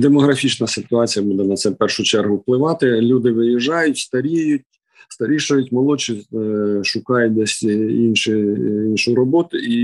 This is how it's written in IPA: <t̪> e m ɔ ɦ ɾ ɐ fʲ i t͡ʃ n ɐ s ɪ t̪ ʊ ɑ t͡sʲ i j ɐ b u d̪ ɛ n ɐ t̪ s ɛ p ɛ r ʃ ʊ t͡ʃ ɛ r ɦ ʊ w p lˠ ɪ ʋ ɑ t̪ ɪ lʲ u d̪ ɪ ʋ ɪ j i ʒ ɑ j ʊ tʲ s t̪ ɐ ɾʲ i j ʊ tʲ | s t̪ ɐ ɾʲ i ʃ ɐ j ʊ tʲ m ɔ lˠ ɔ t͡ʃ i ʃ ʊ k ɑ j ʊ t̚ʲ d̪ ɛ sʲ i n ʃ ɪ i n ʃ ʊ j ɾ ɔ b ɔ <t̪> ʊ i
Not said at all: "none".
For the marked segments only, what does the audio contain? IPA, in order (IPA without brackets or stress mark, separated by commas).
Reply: d̪, t̪